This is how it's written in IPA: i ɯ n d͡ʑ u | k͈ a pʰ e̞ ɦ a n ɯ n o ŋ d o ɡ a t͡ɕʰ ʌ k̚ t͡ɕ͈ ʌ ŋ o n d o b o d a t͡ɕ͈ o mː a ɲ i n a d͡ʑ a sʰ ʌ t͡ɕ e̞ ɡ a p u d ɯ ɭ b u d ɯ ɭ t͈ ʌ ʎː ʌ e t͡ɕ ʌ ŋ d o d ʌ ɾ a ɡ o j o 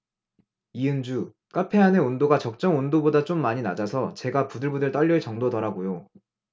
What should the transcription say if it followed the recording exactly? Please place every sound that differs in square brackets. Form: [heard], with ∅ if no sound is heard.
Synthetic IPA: i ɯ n d͡ʑ u | k͈ a pʰ e̞ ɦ a n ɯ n o [n] d o ɡ a [t͡ɕ] ʌ k̚ t͡ɕ͈ ʌ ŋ o n d o b o d a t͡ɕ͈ o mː a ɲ i n a d͡ʑ a sʰ ʌ t͡ɕ e̞ ɡ a p u d ɯ ɭ b u d ɯ ɭ t͈ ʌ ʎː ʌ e t͡ɕ ʌ ŋ d o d ʌ ɾ a ɡ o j o